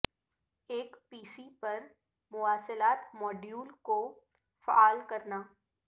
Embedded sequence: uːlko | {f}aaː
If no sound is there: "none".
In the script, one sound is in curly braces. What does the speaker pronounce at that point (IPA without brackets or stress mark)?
f